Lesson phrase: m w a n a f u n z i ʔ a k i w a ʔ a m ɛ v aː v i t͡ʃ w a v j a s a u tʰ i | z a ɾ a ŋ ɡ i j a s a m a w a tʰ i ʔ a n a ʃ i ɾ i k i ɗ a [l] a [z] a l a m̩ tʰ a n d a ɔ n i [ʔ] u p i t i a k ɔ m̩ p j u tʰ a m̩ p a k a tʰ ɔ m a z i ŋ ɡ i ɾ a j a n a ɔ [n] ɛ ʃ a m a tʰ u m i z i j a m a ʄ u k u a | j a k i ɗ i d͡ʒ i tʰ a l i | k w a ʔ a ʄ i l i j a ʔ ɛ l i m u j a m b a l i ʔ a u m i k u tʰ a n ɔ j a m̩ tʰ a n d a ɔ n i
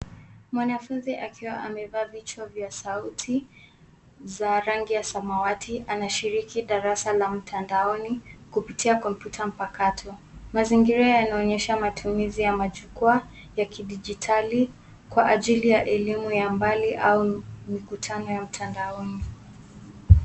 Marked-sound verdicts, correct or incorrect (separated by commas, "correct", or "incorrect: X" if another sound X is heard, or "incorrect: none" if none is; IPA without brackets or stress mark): incorrect: ɾ, incorrect: s, incorrect: k, incorrect: ɲ